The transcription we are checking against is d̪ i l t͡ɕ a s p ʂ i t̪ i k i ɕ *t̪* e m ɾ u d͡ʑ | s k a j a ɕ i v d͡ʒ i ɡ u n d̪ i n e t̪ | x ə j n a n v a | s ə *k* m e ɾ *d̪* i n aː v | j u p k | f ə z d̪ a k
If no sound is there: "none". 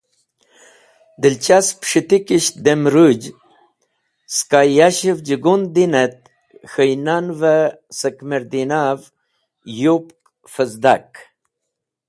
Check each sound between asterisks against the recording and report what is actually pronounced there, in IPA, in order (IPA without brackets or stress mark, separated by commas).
d̪, k, d̪